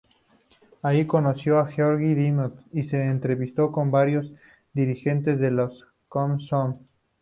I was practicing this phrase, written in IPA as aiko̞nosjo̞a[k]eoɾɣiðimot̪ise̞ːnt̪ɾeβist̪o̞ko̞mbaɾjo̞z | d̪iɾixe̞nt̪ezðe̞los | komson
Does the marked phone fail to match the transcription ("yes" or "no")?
yes